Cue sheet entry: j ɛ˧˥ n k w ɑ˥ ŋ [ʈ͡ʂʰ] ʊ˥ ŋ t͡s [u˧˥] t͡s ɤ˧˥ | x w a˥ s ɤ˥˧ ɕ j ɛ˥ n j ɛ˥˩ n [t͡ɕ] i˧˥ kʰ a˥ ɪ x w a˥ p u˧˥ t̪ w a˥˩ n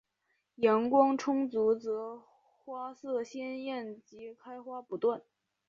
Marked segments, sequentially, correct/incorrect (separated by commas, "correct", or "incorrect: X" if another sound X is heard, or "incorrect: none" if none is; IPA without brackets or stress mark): correct, correct, correct